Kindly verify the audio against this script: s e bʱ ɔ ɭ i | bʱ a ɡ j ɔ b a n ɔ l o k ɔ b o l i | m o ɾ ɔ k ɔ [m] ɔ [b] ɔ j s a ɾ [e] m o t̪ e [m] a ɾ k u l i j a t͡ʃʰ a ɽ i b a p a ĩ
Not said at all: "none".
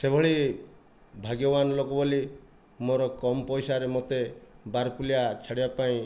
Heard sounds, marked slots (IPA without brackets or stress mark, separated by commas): m, p, e, b